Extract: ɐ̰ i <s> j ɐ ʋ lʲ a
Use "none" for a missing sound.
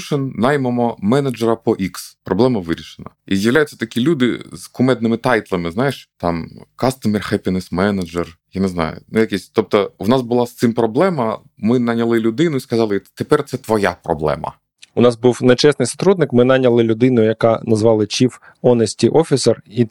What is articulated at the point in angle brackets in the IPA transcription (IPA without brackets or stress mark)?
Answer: z